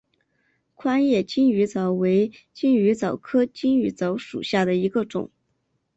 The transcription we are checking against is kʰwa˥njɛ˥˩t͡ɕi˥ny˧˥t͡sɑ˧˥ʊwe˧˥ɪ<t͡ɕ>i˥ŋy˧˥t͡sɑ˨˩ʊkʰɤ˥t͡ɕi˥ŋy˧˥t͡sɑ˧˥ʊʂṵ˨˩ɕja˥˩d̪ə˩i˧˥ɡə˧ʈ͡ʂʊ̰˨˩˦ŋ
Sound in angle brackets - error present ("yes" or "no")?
no